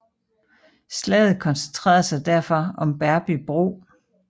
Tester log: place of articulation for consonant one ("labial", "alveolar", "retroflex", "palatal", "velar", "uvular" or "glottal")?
alveolar